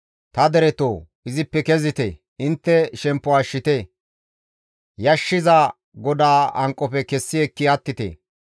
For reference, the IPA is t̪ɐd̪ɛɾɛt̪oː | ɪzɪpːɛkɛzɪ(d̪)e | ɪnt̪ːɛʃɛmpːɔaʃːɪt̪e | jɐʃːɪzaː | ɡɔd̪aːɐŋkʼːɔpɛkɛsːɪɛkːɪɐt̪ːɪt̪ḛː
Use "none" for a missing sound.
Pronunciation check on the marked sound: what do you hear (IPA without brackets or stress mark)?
t̪